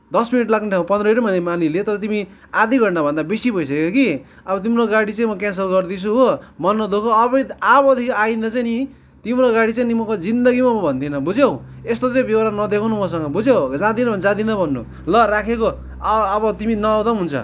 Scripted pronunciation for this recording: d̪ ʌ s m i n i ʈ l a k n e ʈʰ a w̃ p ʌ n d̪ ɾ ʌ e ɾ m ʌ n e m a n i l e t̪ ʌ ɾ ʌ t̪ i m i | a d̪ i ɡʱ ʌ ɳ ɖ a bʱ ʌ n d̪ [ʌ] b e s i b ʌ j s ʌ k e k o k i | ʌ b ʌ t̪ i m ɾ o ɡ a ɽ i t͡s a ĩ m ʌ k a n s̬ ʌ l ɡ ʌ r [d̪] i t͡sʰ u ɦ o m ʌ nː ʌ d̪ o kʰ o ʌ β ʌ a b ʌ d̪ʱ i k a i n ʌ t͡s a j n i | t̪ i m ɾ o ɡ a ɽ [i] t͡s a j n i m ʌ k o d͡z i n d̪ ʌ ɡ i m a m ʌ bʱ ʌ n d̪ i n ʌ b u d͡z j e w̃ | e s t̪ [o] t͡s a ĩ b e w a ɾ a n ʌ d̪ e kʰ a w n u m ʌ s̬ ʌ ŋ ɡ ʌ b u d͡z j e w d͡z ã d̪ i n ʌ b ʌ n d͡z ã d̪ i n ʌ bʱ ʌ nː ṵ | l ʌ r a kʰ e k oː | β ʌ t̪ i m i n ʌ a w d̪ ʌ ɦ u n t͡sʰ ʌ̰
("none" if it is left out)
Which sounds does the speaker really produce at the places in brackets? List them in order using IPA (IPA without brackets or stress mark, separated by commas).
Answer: a, d̪, i, o